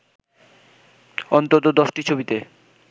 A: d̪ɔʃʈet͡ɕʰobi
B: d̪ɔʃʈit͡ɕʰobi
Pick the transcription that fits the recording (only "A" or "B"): B